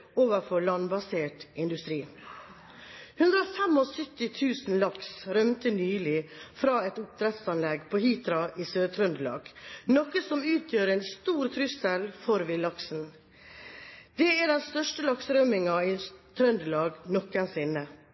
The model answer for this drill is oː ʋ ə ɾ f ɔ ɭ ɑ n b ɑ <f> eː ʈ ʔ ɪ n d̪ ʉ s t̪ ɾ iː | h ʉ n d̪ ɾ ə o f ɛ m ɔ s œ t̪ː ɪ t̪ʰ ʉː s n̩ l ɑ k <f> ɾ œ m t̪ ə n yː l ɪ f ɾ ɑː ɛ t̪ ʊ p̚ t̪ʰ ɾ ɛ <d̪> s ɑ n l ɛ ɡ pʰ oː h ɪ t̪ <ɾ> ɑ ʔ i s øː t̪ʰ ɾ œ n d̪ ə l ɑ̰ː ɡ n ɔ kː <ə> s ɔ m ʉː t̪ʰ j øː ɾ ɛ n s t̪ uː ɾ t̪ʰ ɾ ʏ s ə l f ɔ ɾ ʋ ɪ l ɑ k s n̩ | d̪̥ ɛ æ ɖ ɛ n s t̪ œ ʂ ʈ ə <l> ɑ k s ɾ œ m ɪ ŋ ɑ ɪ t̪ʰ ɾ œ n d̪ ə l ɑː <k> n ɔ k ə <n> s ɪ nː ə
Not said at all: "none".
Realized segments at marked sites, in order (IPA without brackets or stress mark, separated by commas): s, s, t̪, ɾ, ə, l, ɡ, n